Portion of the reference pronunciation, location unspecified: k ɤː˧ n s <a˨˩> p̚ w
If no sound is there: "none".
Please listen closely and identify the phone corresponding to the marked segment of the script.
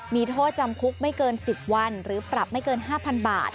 i˨˩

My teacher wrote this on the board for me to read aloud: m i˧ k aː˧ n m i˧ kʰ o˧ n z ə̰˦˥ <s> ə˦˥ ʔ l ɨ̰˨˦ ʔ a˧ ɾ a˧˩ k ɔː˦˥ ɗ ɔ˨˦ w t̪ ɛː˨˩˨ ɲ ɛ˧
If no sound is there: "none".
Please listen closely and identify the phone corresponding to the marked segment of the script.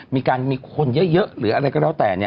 z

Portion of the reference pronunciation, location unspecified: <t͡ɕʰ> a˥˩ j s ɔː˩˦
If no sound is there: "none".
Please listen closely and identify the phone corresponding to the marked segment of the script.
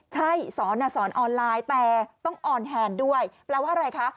t͡ɕʰ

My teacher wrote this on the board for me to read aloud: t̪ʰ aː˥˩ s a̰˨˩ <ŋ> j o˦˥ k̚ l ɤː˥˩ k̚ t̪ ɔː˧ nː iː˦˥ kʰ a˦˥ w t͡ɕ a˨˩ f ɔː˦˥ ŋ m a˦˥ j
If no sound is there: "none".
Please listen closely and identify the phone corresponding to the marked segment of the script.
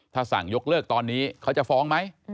ŋ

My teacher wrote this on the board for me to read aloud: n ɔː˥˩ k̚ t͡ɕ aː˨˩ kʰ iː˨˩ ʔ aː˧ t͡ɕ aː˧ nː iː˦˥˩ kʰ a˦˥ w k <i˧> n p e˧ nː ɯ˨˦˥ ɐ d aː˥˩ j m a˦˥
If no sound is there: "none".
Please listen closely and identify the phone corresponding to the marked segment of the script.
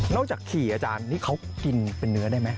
i˧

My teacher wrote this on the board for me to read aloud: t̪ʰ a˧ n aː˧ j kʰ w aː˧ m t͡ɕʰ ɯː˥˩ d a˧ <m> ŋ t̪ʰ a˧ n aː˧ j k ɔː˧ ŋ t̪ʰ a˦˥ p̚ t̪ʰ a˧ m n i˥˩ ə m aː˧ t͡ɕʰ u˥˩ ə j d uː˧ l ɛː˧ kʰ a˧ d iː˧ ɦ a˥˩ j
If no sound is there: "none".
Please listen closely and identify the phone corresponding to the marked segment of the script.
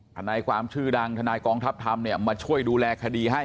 none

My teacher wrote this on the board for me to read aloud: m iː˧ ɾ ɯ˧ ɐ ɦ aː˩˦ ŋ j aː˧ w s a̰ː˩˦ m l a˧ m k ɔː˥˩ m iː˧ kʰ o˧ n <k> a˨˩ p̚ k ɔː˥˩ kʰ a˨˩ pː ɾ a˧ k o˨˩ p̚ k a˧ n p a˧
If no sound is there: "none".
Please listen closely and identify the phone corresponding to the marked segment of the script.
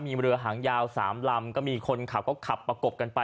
kʰ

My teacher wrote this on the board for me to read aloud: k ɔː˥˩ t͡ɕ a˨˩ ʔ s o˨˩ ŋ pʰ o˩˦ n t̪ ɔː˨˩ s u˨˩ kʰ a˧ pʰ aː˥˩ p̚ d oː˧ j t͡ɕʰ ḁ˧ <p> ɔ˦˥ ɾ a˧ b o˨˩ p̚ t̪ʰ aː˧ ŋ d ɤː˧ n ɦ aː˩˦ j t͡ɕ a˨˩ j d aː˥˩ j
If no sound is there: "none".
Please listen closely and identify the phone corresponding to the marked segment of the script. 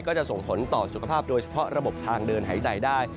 pʰ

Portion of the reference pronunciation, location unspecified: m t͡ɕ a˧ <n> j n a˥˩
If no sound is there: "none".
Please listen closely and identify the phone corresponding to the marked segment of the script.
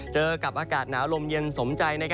none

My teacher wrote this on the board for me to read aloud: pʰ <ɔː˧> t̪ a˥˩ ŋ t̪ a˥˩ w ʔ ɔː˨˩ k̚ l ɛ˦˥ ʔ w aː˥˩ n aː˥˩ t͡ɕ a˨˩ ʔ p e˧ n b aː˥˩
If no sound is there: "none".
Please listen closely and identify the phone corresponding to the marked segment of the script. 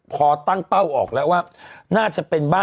ɔː˧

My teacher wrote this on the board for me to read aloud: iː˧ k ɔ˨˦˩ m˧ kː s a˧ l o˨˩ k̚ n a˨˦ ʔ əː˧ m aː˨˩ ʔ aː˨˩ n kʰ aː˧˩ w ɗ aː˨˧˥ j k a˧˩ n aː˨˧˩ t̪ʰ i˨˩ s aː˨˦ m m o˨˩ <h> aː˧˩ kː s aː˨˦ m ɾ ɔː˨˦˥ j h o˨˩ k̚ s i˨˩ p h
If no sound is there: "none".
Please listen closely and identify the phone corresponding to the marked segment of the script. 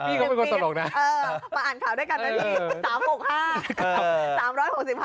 h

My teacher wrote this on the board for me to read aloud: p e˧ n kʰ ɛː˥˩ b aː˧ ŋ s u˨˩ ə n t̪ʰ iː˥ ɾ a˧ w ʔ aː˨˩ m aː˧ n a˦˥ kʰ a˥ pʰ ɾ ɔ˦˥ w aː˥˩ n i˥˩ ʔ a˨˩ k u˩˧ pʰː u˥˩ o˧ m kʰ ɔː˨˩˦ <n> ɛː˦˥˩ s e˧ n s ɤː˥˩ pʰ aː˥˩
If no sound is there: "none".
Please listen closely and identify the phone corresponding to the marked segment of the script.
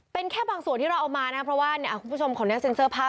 n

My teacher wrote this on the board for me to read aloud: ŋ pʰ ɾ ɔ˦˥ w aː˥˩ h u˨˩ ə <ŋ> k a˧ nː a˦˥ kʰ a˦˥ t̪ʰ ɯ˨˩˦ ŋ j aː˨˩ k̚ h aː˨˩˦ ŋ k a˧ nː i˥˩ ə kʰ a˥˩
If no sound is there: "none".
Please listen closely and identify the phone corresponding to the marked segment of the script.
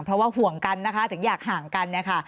ŋ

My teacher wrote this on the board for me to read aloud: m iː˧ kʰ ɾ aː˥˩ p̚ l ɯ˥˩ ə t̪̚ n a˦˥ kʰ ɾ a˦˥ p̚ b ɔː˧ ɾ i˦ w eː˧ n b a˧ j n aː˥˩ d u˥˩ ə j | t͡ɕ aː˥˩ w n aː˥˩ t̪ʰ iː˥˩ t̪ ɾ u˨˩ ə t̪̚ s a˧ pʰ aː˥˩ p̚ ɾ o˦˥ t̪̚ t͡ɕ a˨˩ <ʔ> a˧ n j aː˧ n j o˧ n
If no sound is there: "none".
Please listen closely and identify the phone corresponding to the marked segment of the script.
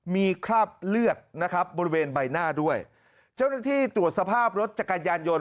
k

